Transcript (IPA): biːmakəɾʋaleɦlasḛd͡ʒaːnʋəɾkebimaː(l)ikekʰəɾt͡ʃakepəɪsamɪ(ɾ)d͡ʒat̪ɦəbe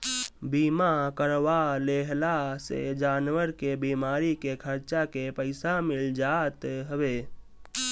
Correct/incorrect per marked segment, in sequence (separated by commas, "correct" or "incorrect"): incorrect, incorrect